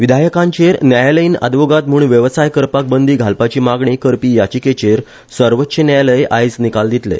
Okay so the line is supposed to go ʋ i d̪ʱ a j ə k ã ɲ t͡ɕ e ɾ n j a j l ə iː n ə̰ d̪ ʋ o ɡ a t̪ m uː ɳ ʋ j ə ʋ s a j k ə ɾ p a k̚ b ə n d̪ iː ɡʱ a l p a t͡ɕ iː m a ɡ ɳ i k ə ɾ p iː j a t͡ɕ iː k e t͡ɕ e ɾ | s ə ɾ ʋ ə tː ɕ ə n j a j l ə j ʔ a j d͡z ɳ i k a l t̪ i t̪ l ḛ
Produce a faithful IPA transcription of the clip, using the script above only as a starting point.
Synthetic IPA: ʋ i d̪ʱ a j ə k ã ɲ t͡ɕ e ɾ n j a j l ə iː n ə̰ d̪ ʋ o ɡ a t̪ m uː ɳ ʋ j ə ʋ s a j k ə ɾ p a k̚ b ə n d̪ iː ɡʱ a l p a t͡ɕ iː m a ɡ ɳ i k ə ɾ p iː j a t͡ɕ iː k e t͡ɕ e ɾ | s ə ɾ ʋ ə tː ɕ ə n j a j l ə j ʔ a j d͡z n i k a l d̪ i t̪ l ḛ